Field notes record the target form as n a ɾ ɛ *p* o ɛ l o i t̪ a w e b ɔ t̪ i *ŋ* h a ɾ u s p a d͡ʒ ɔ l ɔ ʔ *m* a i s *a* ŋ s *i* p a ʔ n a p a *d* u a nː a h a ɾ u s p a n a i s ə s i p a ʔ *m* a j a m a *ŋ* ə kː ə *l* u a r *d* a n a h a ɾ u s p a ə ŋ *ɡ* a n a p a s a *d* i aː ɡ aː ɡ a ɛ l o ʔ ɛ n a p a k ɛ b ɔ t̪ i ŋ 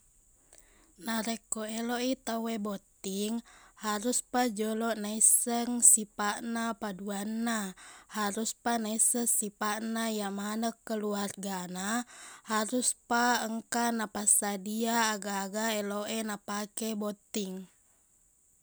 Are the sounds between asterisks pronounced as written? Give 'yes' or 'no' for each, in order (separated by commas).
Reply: no, yes, no, no, yes, yes, no, no, yes, no, no, yes